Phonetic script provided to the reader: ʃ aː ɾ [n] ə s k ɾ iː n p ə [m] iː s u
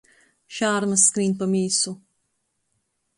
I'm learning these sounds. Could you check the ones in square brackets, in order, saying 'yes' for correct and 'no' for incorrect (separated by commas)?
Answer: no, yes